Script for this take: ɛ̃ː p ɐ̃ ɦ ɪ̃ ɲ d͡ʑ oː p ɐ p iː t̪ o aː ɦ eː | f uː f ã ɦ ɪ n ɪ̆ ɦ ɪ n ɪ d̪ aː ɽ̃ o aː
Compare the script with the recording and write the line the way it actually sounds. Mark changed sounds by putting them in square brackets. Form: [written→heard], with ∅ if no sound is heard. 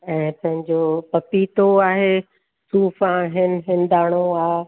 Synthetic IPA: ɛ̃ː p ɐ̃ ɦ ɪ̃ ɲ d͡ʑ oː p ɐ p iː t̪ o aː ɦ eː | [f→s] uː f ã ɦ ɪ n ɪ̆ ɦ ɪ n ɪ d̪ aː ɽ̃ o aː